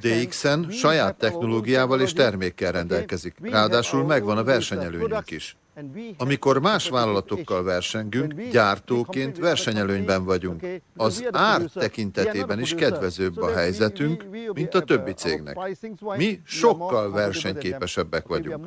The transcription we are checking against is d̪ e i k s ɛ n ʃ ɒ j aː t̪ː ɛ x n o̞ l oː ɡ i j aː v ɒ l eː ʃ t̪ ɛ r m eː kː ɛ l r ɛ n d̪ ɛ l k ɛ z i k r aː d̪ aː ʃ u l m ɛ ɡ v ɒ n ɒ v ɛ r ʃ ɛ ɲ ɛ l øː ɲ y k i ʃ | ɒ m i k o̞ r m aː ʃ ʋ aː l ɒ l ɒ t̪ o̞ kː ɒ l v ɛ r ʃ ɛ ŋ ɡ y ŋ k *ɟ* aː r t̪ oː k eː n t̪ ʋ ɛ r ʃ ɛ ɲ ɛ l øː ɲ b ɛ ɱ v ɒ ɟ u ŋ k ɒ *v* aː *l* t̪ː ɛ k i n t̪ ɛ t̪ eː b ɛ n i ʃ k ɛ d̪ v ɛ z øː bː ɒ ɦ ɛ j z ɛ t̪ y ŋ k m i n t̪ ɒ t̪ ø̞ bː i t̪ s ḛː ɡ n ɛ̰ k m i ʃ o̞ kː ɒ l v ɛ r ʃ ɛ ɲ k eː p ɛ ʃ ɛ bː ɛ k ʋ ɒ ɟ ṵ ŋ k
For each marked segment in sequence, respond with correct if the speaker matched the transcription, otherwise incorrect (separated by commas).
correct, incorrect, incorrect